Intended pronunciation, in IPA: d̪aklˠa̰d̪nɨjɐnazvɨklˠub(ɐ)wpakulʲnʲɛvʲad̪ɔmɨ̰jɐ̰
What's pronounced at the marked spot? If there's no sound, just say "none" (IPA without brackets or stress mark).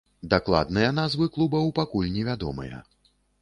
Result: ɐ